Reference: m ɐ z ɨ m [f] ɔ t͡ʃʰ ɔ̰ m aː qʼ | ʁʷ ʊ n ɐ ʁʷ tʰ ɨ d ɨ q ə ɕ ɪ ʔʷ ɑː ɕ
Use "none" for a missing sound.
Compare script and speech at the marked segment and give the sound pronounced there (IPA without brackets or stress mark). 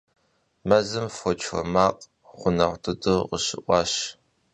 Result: f